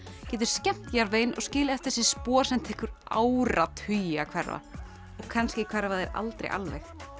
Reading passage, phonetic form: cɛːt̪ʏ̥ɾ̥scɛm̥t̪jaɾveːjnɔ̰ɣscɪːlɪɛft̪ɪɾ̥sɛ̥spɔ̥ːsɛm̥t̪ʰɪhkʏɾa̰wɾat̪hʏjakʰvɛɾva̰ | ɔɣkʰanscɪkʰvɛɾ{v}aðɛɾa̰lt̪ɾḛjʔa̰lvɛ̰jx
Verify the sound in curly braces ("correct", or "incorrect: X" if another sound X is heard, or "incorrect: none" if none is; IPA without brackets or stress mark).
correct